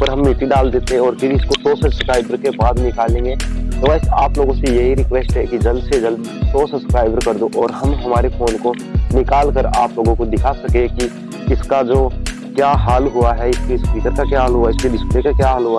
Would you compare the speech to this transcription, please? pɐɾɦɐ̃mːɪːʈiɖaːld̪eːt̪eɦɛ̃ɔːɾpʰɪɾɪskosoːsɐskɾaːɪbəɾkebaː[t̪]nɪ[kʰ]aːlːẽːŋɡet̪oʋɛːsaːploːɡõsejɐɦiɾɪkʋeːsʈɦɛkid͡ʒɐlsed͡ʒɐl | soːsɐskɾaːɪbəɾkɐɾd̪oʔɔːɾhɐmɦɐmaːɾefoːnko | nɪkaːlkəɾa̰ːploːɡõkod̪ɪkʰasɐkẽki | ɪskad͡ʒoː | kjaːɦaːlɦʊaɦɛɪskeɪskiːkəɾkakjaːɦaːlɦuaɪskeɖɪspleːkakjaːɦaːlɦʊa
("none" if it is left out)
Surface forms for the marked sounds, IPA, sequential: d̪, k

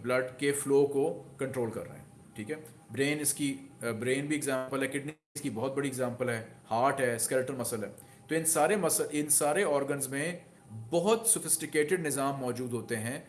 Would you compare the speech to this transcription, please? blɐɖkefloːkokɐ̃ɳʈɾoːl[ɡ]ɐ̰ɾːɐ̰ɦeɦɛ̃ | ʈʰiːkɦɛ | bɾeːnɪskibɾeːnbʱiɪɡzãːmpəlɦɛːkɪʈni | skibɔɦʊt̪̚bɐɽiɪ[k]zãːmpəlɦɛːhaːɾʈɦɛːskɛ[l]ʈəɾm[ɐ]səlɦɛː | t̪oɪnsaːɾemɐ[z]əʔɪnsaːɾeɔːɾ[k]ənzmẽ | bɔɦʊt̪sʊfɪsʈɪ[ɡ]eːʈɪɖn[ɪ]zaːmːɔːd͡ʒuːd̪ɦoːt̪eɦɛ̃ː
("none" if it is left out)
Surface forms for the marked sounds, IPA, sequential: k, ɡ, l, ɐ, s, ɡ, k, ɪ

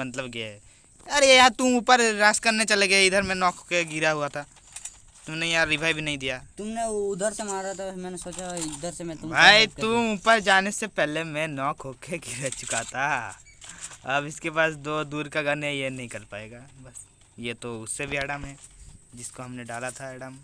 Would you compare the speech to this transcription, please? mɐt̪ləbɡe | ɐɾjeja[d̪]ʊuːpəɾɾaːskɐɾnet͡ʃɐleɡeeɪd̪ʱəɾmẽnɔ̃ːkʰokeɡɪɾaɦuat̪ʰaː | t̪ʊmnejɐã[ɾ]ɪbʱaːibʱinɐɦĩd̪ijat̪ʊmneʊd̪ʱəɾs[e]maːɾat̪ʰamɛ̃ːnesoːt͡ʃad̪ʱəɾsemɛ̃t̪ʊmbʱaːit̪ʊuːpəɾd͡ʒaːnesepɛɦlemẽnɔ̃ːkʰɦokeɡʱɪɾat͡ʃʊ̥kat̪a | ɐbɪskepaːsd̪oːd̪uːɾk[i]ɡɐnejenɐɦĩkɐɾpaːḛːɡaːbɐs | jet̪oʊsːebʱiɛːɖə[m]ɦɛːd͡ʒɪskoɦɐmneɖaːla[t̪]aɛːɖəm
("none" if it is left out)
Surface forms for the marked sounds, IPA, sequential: t̪, ɾ, e, a, m, t̪ʰ

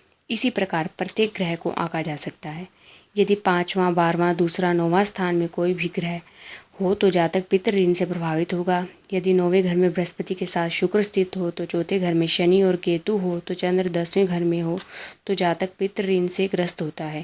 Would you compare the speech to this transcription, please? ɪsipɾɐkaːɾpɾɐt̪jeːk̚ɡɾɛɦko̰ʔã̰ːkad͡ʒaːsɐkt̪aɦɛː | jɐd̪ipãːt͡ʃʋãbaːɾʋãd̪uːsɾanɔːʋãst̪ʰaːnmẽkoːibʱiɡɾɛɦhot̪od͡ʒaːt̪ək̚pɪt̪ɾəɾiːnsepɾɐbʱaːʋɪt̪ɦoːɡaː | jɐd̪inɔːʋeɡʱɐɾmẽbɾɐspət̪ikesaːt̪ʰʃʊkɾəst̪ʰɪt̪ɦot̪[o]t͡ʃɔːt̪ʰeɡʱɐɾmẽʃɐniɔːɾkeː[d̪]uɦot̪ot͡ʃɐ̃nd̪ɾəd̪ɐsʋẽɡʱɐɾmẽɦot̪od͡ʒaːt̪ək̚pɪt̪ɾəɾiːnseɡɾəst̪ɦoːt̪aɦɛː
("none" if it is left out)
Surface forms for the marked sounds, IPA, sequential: o, t̪

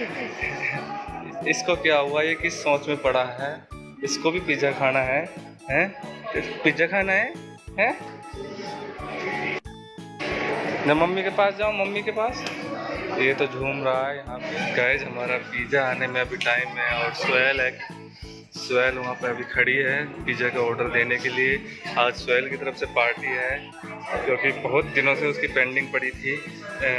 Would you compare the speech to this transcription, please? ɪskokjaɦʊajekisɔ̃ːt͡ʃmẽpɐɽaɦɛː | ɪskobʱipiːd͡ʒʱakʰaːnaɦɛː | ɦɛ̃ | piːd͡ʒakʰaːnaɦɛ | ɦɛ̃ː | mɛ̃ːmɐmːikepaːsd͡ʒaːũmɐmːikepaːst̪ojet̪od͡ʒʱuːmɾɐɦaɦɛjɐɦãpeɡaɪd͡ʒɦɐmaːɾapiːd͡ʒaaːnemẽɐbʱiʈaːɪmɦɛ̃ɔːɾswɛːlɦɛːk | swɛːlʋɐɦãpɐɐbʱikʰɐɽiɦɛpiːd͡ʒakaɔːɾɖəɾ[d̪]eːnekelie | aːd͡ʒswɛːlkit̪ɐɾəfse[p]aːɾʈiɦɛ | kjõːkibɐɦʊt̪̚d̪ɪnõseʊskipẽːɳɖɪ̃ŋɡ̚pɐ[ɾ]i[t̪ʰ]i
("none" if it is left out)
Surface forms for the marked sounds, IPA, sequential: d̪, p, ɽ, t̪ʰ

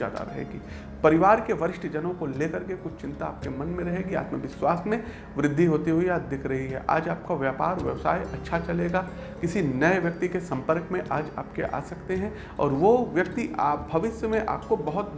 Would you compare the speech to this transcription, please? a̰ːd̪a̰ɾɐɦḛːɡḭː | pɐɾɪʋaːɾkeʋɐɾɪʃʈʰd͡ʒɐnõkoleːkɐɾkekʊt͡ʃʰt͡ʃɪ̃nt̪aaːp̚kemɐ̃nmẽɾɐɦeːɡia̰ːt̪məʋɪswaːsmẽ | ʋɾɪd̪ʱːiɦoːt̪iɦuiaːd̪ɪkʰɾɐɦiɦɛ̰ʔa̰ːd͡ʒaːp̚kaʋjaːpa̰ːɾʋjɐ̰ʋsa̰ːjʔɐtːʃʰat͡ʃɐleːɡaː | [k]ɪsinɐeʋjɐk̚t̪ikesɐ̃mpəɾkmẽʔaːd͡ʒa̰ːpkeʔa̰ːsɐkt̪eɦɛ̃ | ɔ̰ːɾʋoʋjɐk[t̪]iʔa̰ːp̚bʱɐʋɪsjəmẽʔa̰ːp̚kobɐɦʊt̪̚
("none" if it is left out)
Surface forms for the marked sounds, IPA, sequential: k, t̪

